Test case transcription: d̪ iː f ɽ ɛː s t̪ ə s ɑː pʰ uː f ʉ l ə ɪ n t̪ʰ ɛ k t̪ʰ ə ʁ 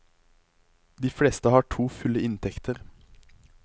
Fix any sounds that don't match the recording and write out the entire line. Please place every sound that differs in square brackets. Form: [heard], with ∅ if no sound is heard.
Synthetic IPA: d̪ iː f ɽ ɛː s t̪ ə [h] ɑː [ʈʰ] uː f ʉ l ə ɪ n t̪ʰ ɛ k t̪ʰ ə ʁ

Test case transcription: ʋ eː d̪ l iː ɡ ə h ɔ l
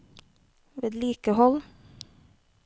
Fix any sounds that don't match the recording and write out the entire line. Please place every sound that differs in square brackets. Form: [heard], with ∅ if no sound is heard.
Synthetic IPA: ʋ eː d̪ l iː [k] ə h ɔ l

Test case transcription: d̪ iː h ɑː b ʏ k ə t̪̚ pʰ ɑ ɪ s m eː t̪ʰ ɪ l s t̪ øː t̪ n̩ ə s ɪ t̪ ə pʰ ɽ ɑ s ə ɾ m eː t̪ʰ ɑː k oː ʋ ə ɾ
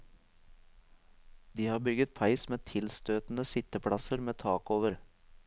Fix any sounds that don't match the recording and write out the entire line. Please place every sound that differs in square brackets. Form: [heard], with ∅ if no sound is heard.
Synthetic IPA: d̪ iː h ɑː b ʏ [ɡ] ə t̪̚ pʰ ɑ ɪ s m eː t̪ʰ ɪ l s t̪ øː t̪ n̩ ə s ɪ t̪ ə pʰ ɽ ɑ s ə ɾ m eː t̪ʰ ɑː k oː ʋ ə ɾ

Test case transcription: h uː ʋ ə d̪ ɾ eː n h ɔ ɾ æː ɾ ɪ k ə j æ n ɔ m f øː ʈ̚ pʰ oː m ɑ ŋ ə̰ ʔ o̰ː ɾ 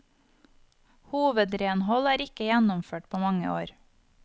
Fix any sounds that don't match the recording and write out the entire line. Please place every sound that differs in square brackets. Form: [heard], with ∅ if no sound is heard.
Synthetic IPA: h uː ʋ ə d̪ ɾ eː n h ɔ [l] æː ɾ ɪ k ə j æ n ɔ m f øː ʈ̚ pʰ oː m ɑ ŋ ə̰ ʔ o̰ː ɾ

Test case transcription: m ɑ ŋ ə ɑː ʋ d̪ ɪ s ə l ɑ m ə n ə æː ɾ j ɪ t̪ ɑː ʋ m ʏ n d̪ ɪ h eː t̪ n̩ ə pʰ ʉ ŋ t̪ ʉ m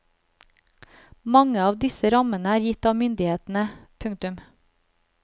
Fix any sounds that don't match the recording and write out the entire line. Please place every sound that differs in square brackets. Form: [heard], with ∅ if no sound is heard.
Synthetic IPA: m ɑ ŋ ə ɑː ʋ d̪ ɪ s ə [ɾ] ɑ m ə n ə æː ɾ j ɪ t̪ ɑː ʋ m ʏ n d̪ ɪ h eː t̪ n̩ ə pʰ ʉ ŋ t̪ ʉ m

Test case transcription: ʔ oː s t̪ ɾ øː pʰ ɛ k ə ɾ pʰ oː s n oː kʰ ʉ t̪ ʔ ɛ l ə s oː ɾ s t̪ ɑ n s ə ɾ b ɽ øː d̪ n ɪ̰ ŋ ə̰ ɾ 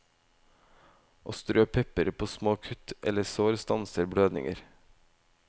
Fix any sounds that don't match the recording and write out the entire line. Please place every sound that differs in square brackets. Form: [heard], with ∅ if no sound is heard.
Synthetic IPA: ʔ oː s t̪ ɾ øː pʰ ɛ [p] ə ɾ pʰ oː s [m] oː kʰ ʉ t̪ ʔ ɛ l ə s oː ɾ s t̪ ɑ n s ə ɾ b ɽ øː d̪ n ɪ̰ ŋ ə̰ ɾ

